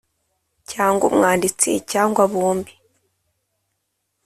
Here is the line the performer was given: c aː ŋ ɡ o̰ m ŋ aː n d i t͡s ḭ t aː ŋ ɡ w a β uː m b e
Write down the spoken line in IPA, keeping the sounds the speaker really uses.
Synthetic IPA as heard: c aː ŋ ɡ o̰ m ŋ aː n d i t͡s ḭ c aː ŋ ɡ w a β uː m b i